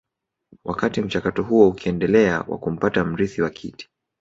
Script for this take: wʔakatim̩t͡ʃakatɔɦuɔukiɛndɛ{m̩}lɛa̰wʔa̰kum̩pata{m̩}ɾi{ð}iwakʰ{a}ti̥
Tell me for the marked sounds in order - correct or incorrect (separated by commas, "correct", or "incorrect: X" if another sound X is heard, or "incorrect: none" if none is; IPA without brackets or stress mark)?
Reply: incorrect: none, correct, incorrect: θ, incorrect: i